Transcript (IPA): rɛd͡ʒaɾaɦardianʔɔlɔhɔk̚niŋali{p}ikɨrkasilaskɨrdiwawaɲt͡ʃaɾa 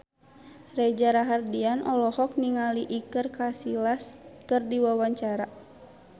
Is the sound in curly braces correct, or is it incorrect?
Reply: incorrect: ʔ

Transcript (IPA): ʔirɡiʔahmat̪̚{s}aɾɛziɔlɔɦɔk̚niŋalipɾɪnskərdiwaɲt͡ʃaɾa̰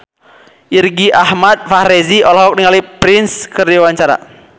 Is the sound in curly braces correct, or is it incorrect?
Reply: incorrect: f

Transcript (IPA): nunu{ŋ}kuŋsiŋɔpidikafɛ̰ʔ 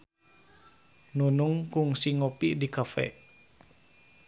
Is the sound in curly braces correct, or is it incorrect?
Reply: correct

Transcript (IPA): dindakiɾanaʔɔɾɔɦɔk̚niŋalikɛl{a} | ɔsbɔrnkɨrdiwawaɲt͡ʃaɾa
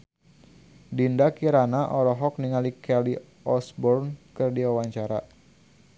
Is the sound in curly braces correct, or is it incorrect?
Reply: incorrect: i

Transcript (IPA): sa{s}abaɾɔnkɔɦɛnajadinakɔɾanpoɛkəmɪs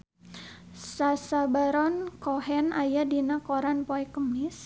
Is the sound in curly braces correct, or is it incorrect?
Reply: correct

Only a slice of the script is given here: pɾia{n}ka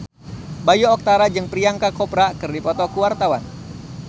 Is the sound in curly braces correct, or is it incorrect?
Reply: incorrect: ŋ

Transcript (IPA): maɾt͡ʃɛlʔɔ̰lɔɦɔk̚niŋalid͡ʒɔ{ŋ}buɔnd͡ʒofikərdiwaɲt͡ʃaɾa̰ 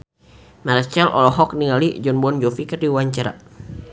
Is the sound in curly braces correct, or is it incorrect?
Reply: incorrect: n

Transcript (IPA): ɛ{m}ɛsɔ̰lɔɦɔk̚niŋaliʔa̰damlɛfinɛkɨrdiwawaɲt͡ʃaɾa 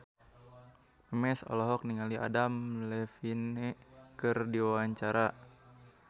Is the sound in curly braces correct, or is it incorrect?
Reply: correct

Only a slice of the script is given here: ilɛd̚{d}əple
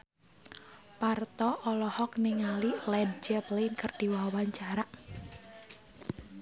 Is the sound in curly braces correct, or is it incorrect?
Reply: incorrect: d͡ʒ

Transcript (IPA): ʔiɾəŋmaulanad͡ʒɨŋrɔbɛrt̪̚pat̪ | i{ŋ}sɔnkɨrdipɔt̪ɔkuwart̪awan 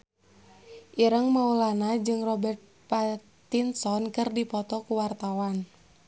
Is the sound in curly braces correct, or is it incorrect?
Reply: incorrect: n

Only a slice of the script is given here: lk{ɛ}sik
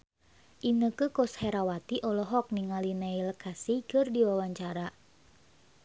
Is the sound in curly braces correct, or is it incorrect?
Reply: incorrect: a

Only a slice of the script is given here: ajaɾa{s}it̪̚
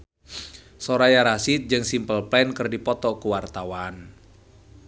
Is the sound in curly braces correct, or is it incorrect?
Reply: correct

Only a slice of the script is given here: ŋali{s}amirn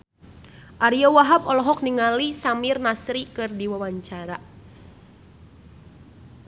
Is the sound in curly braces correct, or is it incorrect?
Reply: correct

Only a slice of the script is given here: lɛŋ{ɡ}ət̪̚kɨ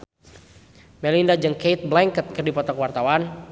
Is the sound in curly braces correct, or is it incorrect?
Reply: incorrect: k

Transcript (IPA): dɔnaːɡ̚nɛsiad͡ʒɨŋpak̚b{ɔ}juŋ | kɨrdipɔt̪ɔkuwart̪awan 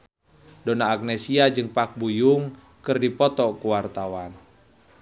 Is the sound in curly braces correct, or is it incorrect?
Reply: incorrect: u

